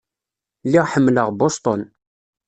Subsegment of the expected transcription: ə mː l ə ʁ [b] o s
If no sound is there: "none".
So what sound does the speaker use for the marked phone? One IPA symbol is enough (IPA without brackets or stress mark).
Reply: b